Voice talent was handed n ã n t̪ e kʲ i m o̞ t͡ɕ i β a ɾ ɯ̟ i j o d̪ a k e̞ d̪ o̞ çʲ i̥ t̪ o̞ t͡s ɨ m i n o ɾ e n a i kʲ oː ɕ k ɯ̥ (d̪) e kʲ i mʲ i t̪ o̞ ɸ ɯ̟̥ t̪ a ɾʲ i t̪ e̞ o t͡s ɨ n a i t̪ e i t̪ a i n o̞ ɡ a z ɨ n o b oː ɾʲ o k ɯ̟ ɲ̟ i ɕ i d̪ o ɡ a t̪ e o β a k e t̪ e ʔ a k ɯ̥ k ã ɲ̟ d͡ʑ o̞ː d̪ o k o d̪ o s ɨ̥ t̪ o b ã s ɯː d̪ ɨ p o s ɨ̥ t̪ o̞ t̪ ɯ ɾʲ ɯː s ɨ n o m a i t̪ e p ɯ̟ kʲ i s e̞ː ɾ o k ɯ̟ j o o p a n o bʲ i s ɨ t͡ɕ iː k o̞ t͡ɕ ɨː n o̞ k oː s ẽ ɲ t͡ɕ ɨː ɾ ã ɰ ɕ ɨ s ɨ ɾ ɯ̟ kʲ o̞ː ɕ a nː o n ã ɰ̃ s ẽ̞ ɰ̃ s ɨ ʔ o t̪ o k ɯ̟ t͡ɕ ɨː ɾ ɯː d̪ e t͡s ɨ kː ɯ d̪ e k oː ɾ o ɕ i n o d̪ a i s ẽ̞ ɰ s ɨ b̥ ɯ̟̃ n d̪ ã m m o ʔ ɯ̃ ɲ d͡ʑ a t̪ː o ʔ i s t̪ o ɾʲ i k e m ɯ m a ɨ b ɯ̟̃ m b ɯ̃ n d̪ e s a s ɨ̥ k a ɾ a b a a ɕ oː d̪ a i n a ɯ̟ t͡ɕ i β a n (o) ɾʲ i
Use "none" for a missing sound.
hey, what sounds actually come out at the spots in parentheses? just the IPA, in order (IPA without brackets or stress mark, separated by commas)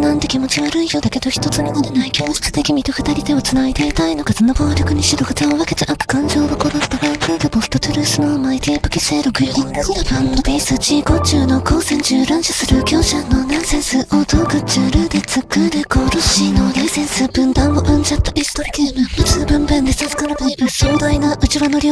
t̪, o